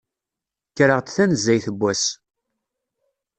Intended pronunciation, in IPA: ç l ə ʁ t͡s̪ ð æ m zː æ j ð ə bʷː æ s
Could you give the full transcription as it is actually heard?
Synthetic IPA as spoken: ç ɾ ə ʁ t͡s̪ θ æ n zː æ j θ ə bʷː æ s

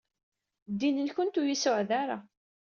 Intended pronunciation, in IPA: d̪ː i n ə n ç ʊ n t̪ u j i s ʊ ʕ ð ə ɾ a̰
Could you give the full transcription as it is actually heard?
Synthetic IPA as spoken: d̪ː i n ə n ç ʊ n t̪ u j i s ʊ ʕ ð a ɾ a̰

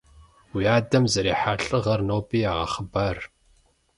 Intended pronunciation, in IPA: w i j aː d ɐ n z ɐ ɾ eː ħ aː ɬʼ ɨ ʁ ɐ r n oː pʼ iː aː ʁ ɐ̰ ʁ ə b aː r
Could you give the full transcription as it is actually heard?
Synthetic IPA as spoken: w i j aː d ɐ m z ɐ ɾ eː ħ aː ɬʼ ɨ ʁ ɐ r n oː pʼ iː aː ʁ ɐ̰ χ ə b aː r

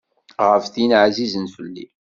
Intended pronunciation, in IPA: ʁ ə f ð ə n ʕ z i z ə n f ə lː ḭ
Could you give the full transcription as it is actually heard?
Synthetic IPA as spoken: ʁ ə f θ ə n ʕ z i z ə n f ə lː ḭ

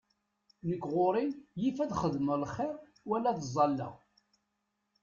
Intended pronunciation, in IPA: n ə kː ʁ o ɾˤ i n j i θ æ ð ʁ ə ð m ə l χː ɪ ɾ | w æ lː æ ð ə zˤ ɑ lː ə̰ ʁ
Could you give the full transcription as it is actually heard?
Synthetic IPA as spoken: n ə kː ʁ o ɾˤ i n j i f æ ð χ ə ð m ə l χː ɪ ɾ | w æ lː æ ð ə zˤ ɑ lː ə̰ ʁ

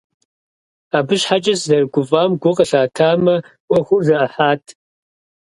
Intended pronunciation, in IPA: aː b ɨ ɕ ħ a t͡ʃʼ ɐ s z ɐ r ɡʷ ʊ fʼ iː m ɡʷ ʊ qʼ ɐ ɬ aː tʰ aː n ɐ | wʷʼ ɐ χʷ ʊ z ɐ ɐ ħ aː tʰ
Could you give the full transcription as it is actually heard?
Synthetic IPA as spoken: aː b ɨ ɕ ħ a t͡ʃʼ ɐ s z ɐ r ɡʷ ʊ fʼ aː m ɡʷ ʊ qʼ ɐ ɬ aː tʰ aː m ɐ | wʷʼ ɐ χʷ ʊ z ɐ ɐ ħ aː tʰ

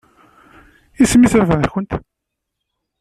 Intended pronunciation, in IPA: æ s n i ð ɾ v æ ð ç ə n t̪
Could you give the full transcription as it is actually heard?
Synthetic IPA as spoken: i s m i θ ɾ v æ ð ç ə n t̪

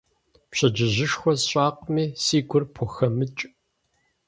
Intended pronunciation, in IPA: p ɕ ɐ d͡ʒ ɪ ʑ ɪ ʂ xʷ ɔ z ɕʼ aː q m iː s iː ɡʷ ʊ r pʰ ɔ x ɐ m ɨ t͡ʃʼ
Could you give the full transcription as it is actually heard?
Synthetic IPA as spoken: p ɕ ɐ d͡ʒ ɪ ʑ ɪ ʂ xʷ ɔ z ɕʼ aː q m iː s iː ɡʷ ʊ r pʰ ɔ x ɐ m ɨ t͡ʃʼ

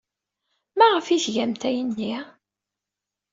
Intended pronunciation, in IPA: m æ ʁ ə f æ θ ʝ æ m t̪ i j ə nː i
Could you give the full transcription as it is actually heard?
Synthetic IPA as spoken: m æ ʁ ə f i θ ʝ æ m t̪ æ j ə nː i

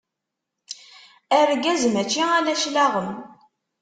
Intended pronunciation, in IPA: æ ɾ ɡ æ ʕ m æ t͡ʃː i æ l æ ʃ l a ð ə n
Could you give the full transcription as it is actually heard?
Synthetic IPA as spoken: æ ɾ ɡ æ z m æ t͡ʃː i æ l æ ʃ l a ʁ ə m

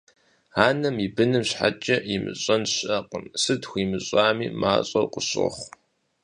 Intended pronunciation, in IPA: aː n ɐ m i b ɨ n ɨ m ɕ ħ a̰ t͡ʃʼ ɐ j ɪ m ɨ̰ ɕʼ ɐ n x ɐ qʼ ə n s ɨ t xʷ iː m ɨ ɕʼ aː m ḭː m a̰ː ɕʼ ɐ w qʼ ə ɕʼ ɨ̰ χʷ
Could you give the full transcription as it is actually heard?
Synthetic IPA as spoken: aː n ɐ m i b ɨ n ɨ m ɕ ħ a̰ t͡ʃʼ ɐ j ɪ m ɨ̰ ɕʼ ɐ n ɕ ɐ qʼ ə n s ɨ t xʷ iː m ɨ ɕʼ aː m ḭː m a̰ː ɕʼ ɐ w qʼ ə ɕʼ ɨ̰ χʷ

